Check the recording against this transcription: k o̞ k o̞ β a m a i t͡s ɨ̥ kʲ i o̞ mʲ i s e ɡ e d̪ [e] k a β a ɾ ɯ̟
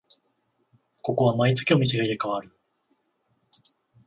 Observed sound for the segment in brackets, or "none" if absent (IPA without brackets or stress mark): e